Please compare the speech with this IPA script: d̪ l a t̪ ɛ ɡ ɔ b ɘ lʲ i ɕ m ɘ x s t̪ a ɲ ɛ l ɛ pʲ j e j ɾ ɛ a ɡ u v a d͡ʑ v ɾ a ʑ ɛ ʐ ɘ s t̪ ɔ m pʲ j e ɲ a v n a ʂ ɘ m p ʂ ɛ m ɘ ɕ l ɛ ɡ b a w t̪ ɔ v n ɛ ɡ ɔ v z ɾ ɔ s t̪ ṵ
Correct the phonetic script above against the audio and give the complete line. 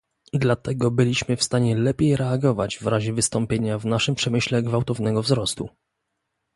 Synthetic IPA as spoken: d̪ l a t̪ ɛ ɡ ɔ b ɘ lʲ i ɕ m ɘ f s t̪ a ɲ ɛ l ɛ pʲ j e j ɾ ɛ a ɡ ɔ v a d͡ʑ v ɾ a ʑ ɛ v ɘ s t̪ ɔ m pʲ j e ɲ a v n a ʂ ɘ m p ʂ ɛ m ɘ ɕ l ɛ ɡ v a w t̪ ɔ v n ɛ ɡ ɔ v z ɾ ɔ s t̪ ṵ